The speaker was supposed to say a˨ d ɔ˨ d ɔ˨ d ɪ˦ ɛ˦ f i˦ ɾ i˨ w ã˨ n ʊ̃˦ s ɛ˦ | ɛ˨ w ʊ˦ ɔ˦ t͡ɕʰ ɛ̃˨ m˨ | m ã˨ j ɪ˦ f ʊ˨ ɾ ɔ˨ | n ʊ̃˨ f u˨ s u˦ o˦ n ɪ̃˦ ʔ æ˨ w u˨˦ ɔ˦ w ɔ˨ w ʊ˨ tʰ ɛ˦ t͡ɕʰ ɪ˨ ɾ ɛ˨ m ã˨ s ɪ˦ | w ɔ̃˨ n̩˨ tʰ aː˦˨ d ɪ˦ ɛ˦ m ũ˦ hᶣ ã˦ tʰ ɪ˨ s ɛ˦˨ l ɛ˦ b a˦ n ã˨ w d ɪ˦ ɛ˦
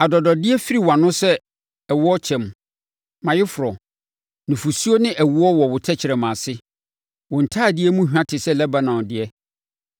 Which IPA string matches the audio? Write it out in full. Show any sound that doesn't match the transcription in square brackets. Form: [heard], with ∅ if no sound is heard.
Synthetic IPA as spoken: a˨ d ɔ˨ d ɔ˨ d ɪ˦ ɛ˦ f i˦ ɾ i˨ w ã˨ n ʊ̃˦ s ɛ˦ | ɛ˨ w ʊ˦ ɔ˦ t͡ɕʰ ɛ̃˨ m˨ | m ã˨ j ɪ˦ f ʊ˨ ɾ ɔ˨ | n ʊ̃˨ f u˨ s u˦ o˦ n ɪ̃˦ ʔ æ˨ w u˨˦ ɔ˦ w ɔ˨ w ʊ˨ tʰ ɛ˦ t͡ɕʰ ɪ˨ ɾ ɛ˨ m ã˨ s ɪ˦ | w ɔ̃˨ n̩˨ tʰ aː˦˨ d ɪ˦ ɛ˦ m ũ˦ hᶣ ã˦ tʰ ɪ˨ s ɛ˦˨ l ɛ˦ b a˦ n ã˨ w d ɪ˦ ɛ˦